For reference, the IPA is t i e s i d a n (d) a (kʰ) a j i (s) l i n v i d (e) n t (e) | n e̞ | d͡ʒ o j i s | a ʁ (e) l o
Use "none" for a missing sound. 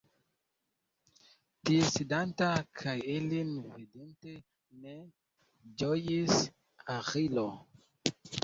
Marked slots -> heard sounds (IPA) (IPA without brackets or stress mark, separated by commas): t, kʰ, none, e, e, i